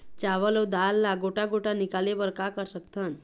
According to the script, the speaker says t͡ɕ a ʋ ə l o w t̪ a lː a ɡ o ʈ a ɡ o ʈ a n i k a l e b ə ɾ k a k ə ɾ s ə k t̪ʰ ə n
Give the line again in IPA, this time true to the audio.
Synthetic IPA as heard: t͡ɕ a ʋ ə l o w d̪ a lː a ɡ o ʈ a ɡ o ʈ a n i k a l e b ə ɾ k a k ə ɾ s ə k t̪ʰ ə n